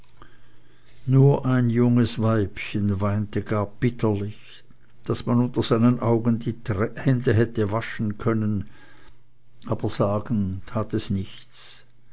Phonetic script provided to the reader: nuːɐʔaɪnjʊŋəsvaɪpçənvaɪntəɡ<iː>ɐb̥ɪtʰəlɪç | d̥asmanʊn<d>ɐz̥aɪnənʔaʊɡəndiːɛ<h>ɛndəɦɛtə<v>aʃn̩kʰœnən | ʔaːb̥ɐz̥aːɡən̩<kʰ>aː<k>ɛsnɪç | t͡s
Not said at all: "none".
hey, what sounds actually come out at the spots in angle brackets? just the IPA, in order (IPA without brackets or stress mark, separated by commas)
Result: aː, t, h, v, tʰ, t